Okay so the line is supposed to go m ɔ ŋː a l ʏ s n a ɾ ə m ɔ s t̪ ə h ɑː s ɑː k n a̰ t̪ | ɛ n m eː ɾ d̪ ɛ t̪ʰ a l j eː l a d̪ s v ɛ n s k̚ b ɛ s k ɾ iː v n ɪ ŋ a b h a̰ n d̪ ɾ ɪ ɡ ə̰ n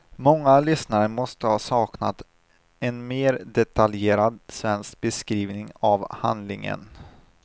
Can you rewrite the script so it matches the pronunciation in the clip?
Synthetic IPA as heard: m ɔ ŋː a l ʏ s n a ɾ ə m ɔ s t̪ ə h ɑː s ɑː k n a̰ t̪ | ɛ n m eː ɾ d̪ ɛ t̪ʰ a l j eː ɾ a d̪ s v ɛ n s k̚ b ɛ s k ɾ iː v n ɪ ŋ a v h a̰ n d̪ l ɪ ŋ ə̰ n